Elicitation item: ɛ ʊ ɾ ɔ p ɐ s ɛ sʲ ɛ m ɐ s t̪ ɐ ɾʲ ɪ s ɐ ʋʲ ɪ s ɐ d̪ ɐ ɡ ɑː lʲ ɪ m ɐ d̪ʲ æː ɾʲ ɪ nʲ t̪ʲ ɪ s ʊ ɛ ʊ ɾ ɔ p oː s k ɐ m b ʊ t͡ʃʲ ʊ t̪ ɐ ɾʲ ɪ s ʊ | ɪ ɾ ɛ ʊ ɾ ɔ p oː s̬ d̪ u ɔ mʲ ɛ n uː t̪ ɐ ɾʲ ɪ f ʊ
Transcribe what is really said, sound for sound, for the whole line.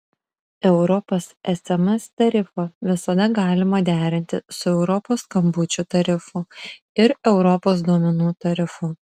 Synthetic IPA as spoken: ɛ ʊ ɾ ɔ p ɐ s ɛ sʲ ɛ m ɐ s t̪ ɐ ɾʲ ɪ f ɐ ʋʲ ɪ s ɐ d̪ ɐ ɡ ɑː lʲ ɪ m ɐ d̪ʲ æː ɾʲ ɪ nʲ t̪ʲ ɪ s ʊ ɛ ʊ ɾ ɔ p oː s k ɐ m b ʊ t͡ʃʲ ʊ t̪ ɐ ɾʲ ɪ f ʊ | ɪ ɾ ɛ ʊ ɾ ɔ p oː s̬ d̪ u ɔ mʲ ɛ n uː t̪ ɐ ɾʲ ɪ f ʊ

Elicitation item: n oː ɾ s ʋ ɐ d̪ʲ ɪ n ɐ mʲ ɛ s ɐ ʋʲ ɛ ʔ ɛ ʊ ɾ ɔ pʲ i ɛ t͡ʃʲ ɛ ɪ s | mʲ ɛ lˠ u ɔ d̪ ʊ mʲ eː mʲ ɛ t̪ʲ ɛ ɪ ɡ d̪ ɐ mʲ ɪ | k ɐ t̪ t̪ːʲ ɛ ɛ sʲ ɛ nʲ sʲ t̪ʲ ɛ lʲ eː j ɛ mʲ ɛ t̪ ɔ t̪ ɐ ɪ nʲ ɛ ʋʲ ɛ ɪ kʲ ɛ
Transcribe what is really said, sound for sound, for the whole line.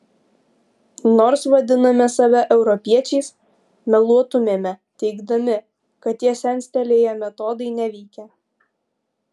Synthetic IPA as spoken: n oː ɾ s ʋ ɐ d̪ʲ ɪ n ɐ mʲ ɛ s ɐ ʋʲ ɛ ʔ ɛ ʊ ɾ ɔ pʲ i ɛ t͡ʃʲ ɛ ɪ s | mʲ ɛ lˠ u ɔ t̪ ʊ mʲ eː mʲ ɛ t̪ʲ ɛ ɪ ɡ d̪ ɐ mʲ ɪ | k ɐ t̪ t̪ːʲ i ɛ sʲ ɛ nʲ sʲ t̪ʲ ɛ lʲ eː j ɛ mʲ ɛ t̪ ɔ d̪ ɐ ɪ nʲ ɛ ʋʲ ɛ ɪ kʲ ɛ

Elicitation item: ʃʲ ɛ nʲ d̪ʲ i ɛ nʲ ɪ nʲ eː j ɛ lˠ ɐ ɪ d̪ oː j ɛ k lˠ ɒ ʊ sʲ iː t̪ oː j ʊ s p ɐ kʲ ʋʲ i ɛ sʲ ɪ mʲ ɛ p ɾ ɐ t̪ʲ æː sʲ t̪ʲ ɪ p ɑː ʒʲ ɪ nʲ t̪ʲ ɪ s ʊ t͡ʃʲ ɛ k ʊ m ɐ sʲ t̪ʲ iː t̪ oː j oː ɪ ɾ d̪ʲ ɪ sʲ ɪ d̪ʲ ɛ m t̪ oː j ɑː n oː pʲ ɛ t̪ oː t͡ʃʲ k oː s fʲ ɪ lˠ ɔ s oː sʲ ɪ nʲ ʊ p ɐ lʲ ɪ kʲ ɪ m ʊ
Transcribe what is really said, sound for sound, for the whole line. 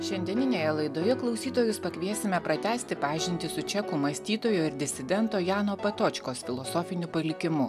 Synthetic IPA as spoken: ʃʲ ɛ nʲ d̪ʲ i ɛ nʲ ɪ nʲ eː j ɛ lˠ ɐ ɪ d̪ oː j ɛ k lˠ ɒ ʊ sʲ iː t̪ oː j ʊ s p ɐ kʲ ʋʲ i ɛ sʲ ɪ mʲ ɛ p ɾ ɐ t̪ʲ æː sʲ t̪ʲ ɪ p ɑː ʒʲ ɪ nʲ t̪ʲ ɪ s ʊ t͡ʃʲ ɛ k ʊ m ɐ sʲ t̪ʲ iː t̪ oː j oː ɪ ɾ d̪ʲ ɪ sʲ ɪ d̪ʲ ɛ n t̪ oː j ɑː n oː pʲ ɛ t̪ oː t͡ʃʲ k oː s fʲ ɪ lˠ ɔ s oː fʲ ɪ nʲ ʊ p ɐ lʲ ɪ kʲ ɪ m ʊ

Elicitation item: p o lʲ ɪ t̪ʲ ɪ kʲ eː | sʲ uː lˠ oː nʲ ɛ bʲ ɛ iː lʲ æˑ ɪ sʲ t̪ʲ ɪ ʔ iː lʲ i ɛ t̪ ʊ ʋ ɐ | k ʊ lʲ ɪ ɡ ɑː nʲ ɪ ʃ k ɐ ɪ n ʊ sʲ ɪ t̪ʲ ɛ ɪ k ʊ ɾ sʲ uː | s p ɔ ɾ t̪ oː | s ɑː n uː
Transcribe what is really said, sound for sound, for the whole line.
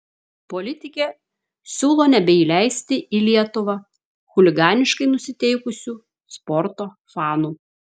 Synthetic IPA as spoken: p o lʲ ɪ t̪ʲ ɪ kʲ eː | sʲ uː lˠ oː nʲ ɛ bʲ ɛ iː lʲ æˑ ɪ sʲ t̪ʲ ɪ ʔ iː lʲ i ɛ t̪ ʊ ʋ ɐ | x ʊ lʲ ɪ ɡ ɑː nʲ ɪ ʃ k ɐ ɪ n ʊ sʲ ɪ t̪ʲ ɛ ɪ k ʊ sʲ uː | s p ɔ ɾ t̪ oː | f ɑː n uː

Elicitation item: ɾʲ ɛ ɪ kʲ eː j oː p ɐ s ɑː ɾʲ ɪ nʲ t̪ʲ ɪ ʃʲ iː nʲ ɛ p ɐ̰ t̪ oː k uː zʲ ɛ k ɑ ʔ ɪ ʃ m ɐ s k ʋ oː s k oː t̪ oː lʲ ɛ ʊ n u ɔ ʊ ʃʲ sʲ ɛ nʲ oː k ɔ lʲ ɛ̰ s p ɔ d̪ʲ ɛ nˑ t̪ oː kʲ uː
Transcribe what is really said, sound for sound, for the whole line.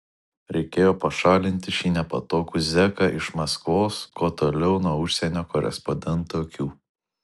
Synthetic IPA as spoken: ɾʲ ɛ ɪ kʲ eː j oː p ɐ ʃ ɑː lʲ ɪ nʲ t̪ʲ ɪ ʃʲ iː nʲ ɛ p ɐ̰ t̪ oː k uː zʲ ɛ k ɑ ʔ ɪ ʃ m ɐ s k ʋ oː s k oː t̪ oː lʲ ɛ ʊ n u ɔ ʊ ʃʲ sʲ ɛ nʲ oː k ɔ ɾʲ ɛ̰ s p ɔ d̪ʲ ɛ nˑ t̪ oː kʲ uː

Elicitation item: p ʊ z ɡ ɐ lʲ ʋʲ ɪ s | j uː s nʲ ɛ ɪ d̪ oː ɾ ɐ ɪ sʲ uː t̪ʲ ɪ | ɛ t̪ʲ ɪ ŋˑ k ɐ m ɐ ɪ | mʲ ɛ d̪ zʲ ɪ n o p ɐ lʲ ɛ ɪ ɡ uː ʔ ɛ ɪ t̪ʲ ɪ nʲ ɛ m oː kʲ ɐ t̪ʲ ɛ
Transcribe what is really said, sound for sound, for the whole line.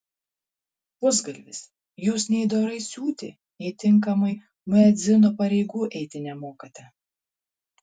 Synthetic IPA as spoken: p ʊ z ɡ ɐ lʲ ʋʲ ɪ s | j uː s nʲ ɛ ɪ d̪ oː ɾ ɐ ɪ sʲ uː t̪ʲ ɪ | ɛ t̪ʲ ɪ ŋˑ k ɐ m ɐ ɪ | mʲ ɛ d̪ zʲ ɪ n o p ɐ ɾʲ ɛ ɪ ɡ uː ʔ ɛ ɪ t̪ʲ ɪ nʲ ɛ m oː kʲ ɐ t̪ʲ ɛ

